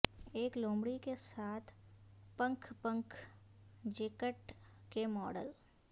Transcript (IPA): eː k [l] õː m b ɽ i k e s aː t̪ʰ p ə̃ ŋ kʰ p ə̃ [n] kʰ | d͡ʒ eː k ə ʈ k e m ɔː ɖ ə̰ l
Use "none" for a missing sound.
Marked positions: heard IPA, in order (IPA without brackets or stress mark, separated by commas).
l, ŋ